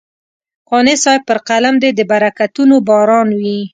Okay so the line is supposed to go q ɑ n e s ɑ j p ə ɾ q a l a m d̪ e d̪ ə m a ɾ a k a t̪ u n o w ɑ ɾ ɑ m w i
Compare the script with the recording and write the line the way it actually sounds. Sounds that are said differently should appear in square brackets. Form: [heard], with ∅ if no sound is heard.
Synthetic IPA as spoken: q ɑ n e s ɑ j p ə ɾ q a l a m d̪ e d̪ ə [b] a ɾ a k a t̪ u n o [b] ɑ ɾ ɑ [n] w i